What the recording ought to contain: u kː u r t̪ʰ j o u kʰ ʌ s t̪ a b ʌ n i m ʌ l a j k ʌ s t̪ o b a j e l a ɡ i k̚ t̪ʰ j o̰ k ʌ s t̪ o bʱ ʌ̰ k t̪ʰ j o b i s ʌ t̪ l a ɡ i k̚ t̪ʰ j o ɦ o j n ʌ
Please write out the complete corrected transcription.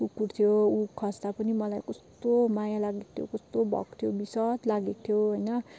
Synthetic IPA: u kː u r t̪ʰ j o u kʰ ʌ s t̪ a p ʌ n i m ʌ l a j k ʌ s t̪ o m a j a l a ɡ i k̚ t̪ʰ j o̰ k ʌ s t̪ o bʱ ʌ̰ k t̪ʰ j o b i s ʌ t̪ l a ɡ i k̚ t̪ʰ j o ɦ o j n ʌ